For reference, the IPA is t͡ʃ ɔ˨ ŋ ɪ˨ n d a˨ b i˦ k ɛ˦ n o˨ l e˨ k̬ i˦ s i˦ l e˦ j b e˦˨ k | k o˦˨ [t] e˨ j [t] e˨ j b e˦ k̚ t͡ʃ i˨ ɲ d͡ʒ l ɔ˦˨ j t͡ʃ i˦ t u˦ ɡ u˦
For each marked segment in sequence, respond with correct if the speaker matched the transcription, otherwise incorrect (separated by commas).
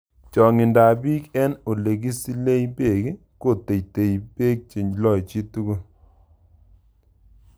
correct, correct